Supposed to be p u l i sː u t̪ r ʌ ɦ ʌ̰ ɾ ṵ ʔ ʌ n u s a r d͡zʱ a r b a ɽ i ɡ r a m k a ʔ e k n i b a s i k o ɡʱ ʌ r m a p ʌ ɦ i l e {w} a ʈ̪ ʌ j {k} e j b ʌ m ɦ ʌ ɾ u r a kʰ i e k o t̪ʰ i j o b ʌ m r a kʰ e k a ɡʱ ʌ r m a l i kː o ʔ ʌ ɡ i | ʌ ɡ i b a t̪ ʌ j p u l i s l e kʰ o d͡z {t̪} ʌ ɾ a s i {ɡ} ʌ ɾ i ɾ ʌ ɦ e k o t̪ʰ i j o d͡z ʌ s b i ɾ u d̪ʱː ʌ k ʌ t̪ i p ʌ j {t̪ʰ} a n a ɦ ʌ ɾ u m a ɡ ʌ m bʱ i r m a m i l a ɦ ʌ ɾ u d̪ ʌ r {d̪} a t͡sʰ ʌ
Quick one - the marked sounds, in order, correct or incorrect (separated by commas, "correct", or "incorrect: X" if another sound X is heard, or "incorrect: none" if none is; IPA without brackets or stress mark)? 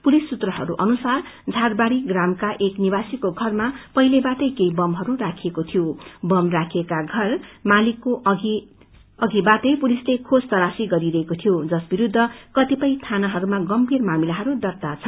incorrect: b, correct, correct, correct, correct, incorrect: t̪